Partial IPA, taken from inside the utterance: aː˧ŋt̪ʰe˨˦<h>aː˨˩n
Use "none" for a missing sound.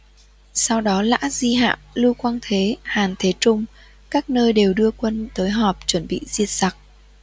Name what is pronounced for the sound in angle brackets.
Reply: h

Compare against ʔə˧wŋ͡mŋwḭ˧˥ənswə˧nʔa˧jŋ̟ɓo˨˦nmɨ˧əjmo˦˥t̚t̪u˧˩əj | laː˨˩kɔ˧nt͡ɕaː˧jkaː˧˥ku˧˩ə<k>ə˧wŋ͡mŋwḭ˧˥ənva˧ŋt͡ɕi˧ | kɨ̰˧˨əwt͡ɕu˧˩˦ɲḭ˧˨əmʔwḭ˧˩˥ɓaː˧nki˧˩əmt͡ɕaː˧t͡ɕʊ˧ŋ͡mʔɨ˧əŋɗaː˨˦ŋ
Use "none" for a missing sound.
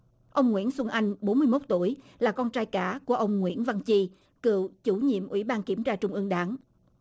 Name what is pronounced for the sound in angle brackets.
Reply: ʔ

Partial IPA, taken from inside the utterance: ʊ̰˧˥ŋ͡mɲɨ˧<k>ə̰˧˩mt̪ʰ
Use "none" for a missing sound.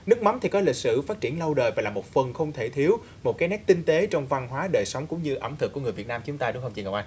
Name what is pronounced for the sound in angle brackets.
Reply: ʔ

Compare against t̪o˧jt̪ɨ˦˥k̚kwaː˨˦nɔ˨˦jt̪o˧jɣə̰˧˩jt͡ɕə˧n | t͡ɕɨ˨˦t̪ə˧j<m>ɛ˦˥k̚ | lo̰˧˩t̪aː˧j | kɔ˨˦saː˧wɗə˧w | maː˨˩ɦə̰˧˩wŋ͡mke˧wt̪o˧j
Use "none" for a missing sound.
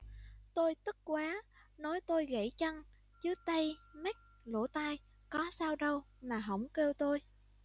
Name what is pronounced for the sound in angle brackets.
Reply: m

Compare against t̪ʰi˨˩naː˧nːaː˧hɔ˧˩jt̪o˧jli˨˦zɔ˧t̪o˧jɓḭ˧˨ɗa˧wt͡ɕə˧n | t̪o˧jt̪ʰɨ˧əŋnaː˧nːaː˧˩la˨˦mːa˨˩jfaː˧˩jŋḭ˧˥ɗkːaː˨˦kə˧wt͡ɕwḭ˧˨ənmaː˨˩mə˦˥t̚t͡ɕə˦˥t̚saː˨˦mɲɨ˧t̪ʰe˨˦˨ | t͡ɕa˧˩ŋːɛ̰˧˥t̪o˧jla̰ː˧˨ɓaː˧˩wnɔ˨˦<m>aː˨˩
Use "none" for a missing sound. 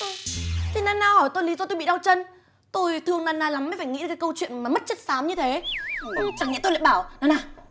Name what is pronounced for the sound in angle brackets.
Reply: n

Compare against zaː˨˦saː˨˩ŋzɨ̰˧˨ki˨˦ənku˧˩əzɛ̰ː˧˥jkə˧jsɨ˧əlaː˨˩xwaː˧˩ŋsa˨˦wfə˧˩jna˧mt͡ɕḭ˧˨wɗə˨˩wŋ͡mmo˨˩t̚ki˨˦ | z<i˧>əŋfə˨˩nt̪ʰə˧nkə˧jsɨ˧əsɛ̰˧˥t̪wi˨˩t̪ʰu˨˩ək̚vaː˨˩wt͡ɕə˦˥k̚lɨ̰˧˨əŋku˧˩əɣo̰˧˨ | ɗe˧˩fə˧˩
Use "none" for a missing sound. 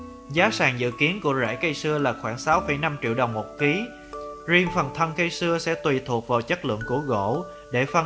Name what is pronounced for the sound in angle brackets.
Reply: i˧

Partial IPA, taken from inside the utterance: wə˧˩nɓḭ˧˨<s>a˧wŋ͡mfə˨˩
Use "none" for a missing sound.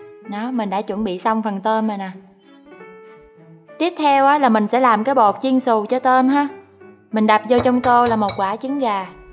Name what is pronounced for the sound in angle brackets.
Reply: s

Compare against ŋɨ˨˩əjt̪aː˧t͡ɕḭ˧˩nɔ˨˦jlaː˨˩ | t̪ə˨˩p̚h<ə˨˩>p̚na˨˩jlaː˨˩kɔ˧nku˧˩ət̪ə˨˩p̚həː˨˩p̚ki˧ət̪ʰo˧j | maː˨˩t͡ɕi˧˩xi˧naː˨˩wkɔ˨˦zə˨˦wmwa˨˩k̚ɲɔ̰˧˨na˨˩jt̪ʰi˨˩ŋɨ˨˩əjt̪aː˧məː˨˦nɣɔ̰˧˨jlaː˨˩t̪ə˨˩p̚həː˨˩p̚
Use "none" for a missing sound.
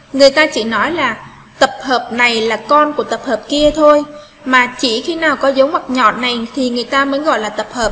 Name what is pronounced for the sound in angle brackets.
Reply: əː˨˩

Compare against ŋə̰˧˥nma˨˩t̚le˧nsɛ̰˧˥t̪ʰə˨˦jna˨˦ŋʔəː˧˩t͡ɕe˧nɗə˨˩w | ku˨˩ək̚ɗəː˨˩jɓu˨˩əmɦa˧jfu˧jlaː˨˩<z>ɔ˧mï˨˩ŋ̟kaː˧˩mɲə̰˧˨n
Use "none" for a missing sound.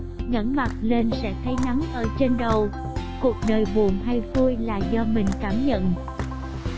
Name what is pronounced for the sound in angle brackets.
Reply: z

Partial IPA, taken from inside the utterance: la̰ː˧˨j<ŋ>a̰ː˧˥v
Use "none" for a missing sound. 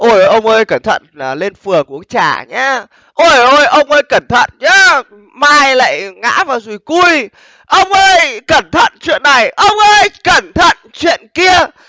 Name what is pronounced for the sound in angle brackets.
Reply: ŋ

